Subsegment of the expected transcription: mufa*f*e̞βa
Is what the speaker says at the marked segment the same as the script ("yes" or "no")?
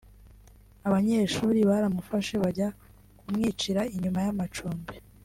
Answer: no